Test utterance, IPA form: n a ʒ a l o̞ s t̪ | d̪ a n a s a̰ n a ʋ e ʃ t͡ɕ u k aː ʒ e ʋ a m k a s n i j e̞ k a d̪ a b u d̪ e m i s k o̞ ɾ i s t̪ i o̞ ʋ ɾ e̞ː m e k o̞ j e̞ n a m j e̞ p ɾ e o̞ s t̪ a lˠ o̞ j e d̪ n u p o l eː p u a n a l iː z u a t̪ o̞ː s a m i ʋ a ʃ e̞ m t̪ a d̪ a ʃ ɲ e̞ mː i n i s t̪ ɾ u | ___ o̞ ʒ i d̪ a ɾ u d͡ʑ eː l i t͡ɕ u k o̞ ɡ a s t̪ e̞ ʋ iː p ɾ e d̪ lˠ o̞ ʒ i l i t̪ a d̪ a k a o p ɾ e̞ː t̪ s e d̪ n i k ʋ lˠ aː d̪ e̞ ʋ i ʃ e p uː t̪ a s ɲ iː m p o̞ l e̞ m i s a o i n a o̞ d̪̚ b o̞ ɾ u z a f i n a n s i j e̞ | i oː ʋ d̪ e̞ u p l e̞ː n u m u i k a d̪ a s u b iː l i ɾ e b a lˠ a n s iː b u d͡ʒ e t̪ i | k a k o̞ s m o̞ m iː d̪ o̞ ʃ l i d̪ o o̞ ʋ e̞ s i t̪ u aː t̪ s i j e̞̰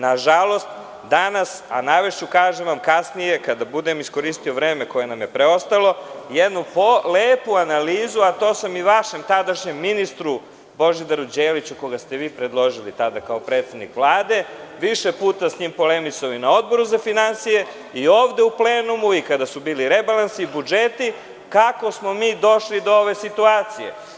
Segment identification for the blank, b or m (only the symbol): b